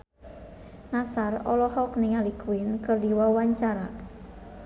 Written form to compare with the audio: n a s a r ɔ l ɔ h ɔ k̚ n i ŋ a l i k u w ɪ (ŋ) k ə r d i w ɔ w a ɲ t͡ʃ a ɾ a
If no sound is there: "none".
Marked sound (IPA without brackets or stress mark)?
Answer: n